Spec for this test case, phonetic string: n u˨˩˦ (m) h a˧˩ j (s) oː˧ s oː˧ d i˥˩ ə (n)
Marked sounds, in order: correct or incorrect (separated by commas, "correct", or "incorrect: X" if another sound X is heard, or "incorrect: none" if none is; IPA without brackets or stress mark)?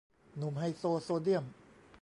correct, correct, incorrect: m